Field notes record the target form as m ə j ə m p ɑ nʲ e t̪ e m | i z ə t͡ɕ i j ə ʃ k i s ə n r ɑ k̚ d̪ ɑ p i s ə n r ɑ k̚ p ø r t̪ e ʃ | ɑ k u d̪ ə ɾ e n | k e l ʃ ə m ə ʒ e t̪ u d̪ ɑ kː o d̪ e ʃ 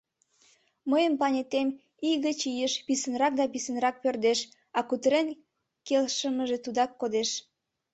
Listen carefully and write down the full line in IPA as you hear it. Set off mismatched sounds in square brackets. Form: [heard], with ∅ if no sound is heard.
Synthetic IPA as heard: m ə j ə m p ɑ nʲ e t̪ e m | i [ɣ] ə t͡ɕ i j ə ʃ [p] i s ə n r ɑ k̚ d̪ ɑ p i s ə n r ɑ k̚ p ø r [d̪] e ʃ | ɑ k u [t̪] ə ɾ e n | k e l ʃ ə m ə ʒ e t̪ u d̪ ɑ kː o d̪ e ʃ

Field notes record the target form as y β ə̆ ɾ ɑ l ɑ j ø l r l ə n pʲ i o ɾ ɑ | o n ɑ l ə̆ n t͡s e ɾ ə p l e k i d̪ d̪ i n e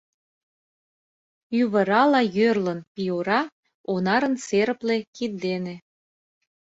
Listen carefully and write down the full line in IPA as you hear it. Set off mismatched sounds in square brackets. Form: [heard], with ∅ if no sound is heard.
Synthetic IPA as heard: y β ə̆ ɾ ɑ l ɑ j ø [∅] r l ə n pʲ i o ɾ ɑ | o n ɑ [ɾ] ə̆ n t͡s e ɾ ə p l e k i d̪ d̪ [e] n e

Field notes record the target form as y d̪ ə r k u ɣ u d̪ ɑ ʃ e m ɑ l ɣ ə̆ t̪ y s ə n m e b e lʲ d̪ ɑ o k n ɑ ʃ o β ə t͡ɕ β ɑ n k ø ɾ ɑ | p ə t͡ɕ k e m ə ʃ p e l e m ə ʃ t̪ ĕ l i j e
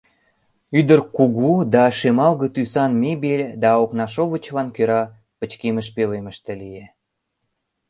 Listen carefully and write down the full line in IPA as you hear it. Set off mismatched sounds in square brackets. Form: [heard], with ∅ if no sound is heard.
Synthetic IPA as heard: y d̪ ə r k u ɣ u d̪ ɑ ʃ e m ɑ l ɣ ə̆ t̪ y s [ɑ] n m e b e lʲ d̪ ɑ o k n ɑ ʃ o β ə t͡ɕ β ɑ n k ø ɾ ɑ | p ə t͡ɕ k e m ə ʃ p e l e m ə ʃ t̪ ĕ l i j e

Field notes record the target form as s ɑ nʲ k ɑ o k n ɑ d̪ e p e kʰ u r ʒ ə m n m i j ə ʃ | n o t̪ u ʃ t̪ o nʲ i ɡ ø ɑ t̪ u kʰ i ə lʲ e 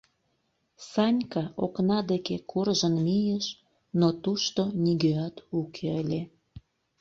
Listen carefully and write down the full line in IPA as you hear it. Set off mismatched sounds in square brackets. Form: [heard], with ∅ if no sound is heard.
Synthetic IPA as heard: s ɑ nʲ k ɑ o k n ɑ d̪ e [k] e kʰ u r ʒ ə [∅] n m i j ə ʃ | n o t̪ u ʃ t̪ o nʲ i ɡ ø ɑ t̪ u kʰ [e] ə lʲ e

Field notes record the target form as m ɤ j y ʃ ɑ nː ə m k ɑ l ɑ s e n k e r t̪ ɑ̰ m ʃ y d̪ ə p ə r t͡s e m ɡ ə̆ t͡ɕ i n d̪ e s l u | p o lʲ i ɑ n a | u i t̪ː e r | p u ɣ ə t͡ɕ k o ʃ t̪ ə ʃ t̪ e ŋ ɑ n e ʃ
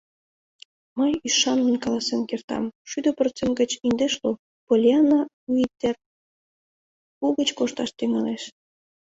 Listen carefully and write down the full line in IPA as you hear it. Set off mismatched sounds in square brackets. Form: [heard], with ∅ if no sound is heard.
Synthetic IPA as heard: m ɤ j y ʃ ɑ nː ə [n] k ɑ l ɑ s e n k e r t̪ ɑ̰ m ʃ y d̪ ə p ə r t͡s e m ɡ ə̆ t͡ɕ i n d̪ e [ʃ] l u | p o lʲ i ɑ n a | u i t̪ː e r | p u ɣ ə t͡ɕ k o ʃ t̪ [ɑ] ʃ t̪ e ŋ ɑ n e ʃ

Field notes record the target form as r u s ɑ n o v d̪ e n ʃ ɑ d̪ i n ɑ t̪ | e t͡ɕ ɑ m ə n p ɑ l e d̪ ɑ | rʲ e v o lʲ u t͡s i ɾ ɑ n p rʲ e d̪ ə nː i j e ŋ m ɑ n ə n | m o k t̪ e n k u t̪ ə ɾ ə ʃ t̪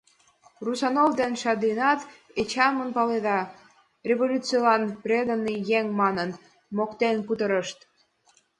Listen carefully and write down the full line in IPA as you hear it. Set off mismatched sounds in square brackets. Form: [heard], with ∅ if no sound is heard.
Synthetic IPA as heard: r u s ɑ n o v d̪ e n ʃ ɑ d̪ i n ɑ t̪ | e t͡ɕ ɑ m ə n p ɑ l e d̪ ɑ | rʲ e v o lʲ u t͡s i [l] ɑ n p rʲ e d̪ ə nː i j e ŋ m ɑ n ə n | m o k t̪ e n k u t̪ ə ɾ ə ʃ t̪

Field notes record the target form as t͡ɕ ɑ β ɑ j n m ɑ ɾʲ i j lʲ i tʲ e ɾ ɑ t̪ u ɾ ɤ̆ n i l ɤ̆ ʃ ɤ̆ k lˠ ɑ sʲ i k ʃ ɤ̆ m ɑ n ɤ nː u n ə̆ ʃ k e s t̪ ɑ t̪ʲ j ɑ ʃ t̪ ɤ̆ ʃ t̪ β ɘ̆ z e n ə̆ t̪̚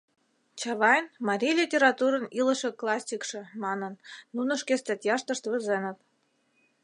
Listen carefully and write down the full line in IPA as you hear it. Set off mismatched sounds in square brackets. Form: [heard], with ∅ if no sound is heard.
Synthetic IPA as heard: t͡ɕ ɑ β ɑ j n m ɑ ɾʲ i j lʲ i tʲ e ɾ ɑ t̪ u ɾ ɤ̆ n i l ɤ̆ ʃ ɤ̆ k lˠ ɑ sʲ i k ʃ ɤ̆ m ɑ n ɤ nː u n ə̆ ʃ k e s t̪ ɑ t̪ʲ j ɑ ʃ t̪ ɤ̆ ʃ t̪ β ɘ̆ z e n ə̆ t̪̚

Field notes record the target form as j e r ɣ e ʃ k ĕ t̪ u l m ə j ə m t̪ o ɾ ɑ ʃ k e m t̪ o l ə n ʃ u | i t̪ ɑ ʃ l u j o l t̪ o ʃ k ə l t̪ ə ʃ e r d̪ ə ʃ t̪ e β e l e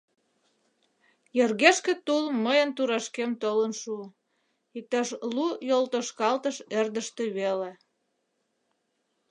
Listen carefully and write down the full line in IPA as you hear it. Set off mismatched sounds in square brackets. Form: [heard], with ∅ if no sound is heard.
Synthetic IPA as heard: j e r ɣ e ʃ k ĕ t̪ u l m ə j ə [n] t̪ [u] ɾ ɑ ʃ k e m t̪ o l ə n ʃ u | i t̪ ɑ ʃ l u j o l t̪ o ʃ k [ɑ] l t̪ ə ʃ e r d̪ ə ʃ t̪ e β e l e

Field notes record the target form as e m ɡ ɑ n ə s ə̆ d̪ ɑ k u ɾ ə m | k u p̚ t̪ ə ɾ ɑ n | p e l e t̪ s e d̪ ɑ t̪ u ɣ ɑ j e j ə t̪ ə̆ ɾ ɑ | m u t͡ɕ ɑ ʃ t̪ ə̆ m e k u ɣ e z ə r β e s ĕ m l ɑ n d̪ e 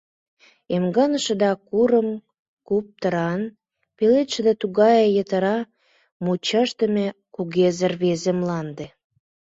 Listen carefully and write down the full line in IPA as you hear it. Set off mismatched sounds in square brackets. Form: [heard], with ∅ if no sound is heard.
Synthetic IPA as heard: e m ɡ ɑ n ə [ʃ] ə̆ d̪ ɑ k u ɾ ə m | k u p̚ t̪ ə ɾ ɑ n | p e l e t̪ [ʃ] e d̪ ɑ t̪ u ɣ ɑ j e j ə t̪ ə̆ ɾ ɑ | m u t͡ɕ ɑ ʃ t̪ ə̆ m e k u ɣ e z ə r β e [z] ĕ m l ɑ n d̪ e

